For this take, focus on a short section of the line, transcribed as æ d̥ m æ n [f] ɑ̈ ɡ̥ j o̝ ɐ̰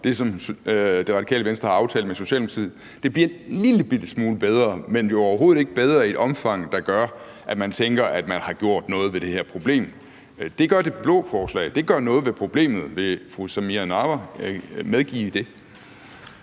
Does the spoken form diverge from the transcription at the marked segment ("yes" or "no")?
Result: yes